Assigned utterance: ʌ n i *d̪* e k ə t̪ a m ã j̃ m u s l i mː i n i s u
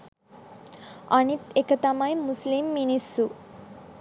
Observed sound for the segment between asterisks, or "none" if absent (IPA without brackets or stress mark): t̪